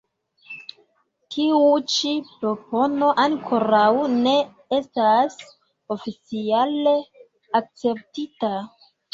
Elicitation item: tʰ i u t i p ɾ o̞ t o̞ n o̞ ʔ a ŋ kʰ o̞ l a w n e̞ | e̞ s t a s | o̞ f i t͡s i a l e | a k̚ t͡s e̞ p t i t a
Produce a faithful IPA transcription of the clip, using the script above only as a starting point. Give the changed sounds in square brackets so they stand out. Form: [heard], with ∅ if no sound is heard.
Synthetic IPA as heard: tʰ i u [t͡ʃ] i p ɾ o̞ [p] o̞ n o̞ ʔ a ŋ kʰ o̞ [ɾ] a w n e̞ | e̞ s t a s | o̞ f i t͡s i a l e | a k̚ t͡s e̞ p t i t a